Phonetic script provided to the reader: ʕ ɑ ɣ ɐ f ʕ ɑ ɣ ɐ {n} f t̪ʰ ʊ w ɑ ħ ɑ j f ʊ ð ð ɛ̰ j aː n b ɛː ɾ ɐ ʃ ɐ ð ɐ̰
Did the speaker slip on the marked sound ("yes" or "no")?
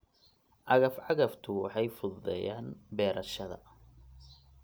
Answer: yes